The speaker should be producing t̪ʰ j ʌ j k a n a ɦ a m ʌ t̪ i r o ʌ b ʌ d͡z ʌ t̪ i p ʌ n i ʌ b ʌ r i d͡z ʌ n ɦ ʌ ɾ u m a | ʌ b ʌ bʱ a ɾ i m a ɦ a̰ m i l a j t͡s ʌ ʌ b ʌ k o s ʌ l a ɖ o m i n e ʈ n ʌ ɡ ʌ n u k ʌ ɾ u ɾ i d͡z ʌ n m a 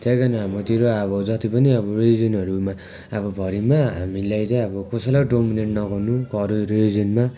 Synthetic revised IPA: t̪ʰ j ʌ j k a n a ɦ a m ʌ t̪ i ɾ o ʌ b ʌ d͡z ʌ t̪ i p ʌ n i ʌ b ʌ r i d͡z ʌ n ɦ ʌ ɾ u m a | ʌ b ʌ bʱ ʌ ɾ i m a ɦ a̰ m i l a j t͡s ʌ ʌ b ʌ k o s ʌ l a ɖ o m i n e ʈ n ʌ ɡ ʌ n u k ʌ ɾ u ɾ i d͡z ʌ n m a